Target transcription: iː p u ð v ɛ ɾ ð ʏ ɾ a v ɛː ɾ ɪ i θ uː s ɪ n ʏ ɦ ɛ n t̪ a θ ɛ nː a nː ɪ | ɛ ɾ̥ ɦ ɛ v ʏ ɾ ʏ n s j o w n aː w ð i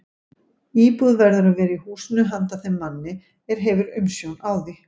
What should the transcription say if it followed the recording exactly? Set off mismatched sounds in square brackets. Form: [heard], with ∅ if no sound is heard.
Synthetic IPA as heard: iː p u ð v ɛ ɾ ð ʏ ɾ a v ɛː ɾ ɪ i [h] uː s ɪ n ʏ ɦ [a] n t̪ a θ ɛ [mː] a nː ɪ | ɛ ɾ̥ ɦ ɛ v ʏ ɾ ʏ [m] s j o w n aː w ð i